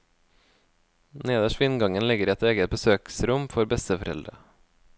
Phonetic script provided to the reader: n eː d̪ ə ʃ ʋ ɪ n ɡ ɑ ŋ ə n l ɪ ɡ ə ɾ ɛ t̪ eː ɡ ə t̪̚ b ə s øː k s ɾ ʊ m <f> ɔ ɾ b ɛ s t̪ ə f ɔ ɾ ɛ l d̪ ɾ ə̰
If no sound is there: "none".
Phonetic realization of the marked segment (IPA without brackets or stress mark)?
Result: f